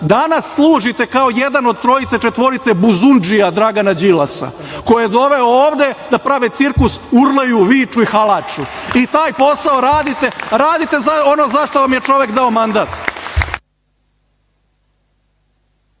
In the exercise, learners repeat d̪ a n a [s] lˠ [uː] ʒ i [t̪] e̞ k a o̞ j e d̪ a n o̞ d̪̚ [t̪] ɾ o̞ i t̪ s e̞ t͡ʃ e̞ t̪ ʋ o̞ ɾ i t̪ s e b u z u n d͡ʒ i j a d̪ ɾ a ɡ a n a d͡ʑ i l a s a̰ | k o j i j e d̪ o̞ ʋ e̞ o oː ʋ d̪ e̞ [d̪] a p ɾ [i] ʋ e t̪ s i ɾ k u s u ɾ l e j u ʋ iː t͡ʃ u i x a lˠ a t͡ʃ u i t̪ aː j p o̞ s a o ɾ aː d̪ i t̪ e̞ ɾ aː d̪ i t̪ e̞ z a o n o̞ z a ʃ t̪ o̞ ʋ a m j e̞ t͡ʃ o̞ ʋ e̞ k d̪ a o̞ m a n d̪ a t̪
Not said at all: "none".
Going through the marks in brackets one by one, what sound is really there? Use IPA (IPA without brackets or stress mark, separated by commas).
sː, uː, t̪, t̪, d̪, a